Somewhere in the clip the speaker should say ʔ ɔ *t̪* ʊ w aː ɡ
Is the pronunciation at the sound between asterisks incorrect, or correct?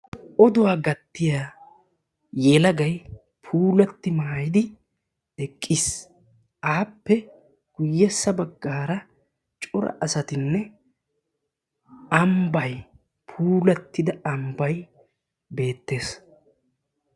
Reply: incorrect